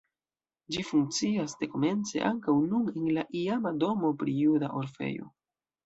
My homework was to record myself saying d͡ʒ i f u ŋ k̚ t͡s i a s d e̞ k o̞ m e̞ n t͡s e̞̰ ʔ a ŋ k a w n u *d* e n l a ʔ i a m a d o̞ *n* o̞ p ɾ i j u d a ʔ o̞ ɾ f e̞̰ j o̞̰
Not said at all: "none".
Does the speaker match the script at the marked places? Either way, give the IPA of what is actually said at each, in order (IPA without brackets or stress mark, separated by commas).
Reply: n, m